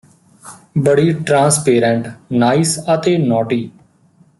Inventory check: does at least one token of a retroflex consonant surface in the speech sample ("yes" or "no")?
yes